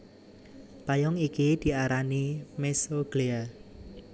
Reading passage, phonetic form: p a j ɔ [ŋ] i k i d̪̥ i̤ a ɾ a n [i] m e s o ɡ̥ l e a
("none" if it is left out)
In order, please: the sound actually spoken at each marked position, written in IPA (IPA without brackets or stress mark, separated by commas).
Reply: ŋ, i